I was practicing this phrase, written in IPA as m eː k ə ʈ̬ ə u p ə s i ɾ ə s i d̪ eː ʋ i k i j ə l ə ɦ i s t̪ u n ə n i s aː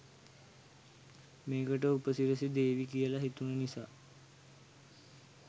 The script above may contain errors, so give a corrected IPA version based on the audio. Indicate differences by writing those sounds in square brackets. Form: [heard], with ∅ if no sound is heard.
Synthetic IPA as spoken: m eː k ə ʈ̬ ə u p ə s i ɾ ə s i d̪ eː ʋ i k i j ə l [a] ɦ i [∅] t̪ u n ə n i s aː